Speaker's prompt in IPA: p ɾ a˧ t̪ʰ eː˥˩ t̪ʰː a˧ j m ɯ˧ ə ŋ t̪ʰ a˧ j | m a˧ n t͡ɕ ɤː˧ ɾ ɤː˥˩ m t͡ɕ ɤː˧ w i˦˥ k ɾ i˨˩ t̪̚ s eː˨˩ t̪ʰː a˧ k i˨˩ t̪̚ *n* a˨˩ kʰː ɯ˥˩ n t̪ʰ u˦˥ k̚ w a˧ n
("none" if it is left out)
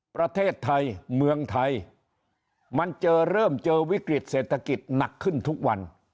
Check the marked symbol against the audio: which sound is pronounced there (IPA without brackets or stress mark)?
n